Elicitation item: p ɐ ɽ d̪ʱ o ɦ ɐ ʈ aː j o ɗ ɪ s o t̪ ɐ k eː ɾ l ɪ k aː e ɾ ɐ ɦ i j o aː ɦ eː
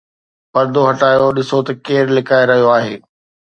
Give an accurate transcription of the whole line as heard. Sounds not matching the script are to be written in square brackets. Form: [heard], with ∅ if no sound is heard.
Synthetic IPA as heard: p ɐ [ɾ] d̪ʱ o ɦ ɐ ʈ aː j o ɗ ɪ s o t̪ ɐ k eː ɾ l ɪ k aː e ɾ ɐ ɦ i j o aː ɦ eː